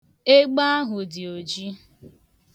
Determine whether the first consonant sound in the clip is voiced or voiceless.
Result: voiced